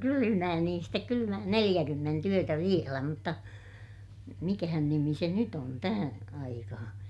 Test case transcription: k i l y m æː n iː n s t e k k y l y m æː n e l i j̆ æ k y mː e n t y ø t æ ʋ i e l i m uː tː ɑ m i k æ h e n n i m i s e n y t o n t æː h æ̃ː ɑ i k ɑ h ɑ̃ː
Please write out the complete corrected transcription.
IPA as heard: k y l y m æː n iː n s t e k k y l y m æː n e l i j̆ æ k y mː e n t y ø t æ ʋ i e l æ m u tː ɑ m i k æ h æ n n i m i s e n y t o n t æ h æ̃ː ɑ i k ɑ h ɑ̃ː